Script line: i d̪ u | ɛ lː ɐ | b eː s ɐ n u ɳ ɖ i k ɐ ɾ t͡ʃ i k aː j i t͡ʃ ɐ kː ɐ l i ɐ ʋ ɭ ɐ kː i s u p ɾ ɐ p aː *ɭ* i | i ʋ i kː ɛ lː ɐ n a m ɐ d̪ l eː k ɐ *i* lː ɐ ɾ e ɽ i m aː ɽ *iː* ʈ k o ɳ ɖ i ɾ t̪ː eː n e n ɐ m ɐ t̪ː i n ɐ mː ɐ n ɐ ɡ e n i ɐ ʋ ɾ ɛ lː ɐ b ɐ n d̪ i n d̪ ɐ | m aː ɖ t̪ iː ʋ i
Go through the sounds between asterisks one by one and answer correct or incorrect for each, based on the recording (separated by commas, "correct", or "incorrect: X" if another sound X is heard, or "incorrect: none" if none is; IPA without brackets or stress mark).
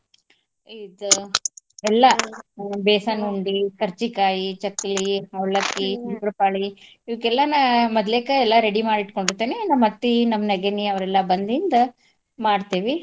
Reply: correct, incorrect: ɛ, incorrect: i